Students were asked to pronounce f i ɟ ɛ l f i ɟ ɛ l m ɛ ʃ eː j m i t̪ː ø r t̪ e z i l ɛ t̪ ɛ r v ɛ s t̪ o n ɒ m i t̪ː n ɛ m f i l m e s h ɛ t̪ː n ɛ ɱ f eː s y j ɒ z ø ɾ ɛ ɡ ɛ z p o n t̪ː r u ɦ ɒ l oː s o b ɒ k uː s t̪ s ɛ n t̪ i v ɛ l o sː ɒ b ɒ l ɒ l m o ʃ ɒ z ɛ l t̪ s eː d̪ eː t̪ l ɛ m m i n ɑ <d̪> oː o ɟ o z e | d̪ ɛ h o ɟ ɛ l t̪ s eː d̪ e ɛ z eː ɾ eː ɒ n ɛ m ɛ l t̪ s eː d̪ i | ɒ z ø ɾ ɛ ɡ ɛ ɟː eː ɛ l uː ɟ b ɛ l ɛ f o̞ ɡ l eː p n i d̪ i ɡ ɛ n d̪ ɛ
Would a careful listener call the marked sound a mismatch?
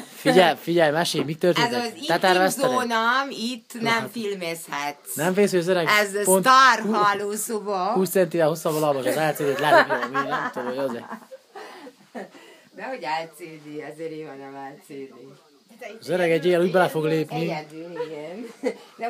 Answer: yes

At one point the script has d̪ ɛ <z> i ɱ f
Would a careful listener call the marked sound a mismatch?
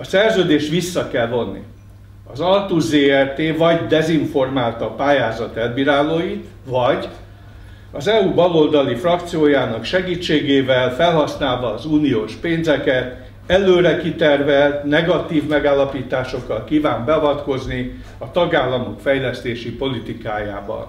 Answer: no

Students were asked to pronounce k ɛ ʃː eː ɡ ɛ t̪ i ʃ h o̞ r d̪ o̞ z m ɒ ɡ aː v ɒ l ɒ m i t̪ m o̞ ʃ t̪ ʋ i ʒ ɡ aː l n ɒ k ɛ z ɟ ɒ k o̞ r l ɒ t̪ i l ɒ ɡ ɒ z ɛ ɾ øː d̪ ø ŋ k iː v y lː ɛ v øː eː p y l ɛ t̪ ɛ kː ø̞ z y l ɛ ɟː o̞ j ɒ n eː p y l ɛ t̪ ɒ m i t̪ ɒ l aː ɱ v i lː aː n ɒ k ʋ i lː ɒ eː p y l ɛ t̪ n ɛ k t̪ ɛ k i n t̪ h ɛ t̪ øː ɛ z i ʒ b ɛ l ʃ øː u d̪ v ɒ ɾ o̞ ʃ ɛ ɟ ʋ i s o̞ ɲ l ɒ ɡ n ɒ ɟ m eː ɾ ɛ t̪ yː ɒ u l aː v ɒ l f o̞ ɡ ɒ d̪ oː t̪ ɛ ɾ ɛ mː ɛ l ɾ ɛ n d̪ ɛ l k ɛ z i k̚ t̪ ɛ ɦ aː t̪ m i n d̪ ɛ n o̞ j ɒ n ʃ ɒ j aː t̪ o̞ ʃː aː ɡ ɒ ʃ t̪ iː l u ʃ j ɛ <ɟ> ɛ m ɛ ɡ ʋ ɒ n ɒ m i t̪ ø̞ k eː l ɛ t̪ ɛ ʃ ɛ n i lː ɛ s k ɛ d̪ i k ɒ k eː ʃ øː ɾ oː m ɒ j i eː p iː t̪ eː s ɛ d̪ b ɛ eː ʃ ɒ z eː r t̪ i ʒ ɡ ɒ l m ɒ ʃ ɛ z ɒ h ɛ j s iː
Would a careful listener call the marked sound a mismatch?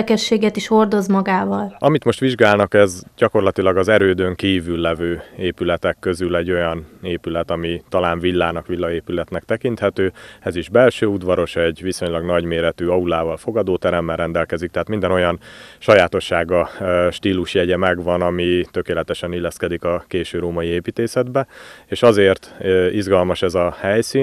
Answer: no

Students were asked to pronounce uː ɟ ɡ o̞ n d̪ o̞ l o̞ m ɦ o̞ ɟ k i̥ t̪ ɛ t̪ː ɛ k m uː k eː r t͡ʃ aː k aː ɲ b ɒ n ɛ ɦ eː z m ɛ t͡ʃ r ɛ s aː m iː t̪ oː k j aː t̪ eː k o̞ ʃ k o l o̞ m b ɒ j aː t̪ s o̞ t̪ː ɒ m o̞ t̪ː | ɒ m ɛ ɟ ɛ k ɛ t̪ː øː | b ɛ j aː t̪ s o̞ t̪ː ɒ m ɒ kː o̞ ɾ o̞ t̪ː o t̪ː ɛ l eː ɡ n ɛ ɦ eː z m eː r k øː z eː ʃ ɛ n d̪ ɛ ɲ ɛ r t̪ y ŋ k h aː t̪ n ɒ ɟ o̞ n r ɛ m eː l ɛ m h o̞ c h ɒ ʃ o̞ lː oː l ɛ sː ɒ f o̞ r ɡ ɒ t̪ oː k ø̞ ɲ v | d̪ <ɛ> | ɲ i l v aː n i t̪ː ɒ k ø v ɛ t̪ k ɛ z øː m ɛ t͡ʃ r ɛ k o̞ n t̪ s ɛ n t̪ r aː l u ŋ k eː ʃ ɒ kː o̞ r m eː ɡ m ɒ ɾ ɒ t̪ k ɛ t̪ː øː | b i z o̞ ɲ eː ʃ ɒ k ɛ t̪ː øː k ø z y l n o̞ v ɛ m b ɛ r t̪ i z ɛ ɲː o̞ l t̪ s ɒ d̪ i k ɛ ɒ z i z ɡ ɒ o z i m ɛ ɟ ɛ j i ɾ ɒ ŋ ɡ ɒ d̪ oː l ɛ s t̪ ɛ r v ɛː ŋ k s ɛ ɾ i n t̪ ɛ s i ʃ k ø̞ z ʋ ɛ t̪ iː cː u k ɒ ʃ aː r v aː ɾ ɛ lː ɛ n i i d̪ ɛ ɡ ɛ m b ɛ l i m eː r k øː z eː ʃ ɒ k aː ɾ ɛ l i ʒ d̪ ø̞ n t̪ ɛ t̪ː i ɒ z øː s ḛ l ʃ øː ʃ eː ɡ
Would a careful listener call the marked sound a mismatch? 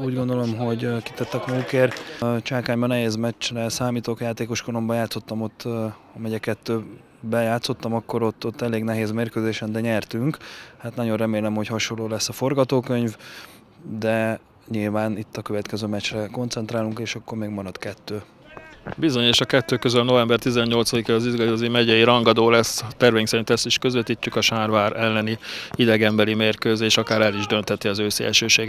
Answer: no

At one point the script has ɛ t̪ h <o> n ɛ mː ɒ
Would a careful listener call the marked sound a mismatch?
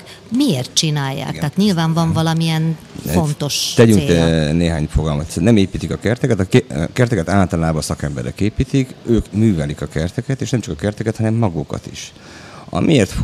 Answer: yes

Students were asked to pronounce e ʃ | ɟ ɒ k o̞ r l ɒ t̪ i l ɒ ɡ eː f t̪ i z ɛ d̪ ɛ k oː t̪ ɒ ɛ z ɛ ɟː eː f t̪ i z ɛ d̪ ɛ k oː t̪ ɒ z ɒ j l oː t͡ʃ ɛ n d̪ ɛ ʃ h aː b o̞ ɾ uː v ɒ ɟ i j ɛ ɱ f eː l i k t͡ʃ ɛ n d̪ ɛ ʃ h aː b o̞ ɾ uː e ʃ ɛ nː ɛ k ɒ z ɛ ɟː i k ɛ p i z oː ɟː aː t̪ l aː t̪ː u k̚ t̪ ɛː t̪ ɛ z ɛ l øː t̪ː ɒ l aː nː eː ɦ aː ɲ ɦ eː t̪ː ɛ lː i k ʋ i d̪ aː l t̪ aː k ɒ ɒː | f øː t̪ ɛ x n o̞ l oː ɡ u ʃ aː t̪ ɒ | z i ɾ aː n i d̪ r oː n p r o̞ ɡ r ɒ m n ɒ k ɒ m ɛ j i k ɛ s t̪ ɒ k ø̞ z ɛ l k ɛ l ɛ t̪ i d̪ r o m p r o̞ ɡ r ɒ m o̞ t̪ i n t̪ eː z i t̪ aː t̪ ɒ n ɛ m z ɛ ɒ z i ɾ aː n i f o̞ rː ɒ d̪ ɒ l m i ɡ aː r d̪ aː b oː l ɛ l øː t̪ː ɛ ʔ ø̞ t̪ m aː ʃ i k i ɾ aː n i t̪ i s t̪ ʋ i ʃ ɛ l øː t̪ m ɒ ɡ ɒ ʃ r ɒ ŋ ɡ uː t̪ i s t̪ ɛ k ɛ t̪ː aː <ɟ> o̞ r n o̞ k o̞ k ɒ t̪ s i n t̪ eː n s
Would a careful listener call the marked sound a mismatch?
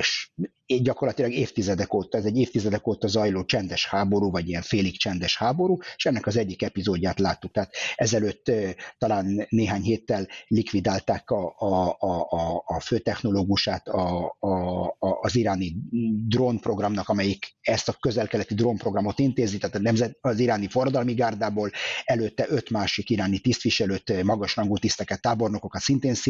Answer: yes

